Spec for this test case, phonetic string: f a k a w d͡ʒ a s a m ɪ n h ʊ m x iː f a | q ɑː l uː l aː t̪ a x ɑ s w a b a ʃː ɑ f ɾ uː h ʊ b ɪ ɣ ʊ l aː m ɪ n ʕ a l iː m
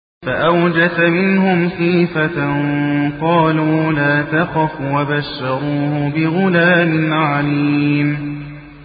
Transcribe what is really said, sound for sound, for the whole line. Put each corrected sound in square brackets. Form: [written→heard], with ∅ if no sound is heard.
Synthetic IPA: f a [k→ʔ] a w d͡ʒ a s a m ɪ n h ʊ m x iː f a | q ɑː l uː l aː t̪ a x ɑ [s→f] w a b a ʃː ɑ [f→∅] ɾ uː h ʊ b ɪ ɣ ʊ l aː m ɪ n ʕ a l iː m